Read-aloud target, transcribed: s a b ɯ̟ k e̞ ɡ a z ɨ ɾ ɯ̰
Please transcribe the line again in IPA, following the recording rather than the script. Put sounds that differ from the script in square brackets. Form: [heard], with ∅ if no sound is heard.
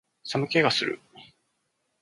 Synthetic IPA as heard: s a [m] ɯ̟ k e̞ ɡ a [s] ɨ ɾ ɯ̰